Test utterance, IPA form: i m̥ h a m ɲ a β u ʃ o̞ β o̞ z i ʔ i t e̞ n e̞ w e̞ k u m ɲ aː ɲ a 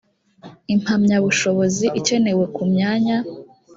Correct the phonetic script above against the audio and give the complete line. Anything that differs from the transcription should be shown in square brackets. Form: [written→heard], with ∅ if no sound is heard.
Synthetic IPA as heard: i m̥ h a m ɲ a β u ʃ o̞ β o̞ z i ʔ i [t→c] e̞ n e̞ w e̞ k u m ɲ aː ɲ a